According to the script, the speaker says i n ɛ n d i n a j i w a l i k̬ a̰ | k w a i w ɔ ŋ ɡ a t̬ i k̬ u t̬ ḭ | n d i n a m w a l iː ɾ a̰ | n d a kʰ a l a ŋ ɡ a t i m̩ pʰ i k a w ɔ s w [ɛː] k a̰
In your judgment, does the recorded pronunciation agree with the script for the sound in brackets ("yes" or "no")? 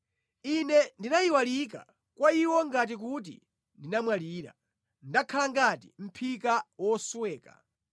yes